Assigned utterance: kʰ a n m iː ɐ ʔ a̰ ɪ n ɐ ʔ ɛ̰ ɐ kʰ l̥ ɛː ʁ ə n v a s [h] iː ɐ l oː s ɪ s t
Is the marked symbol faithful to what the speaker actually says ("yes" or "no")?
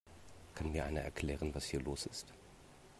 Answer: yes